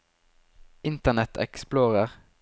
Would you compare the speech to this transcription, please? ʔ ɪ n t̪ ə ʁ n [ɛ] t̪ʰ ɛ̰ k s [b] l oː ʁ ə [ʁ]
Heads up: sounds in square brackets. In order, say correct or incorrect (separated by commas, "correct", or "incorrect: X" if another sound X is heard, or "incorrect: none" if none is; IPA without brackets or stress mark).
correct, incorrect: p, correct